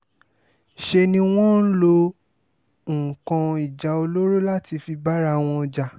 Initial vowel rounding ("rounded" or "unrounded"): unrounded